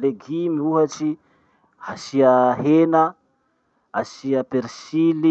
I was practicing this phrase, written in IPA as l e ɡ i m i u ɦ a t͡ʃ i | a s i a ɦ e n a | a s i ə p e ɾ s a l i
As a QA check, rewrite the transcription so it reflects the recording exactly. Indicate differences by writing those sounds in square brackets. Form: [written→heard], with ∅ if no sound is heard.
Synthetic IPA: l e ɡ i m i u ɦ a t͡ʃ i | a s i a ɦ e n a | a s i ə p e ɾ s [a→i] l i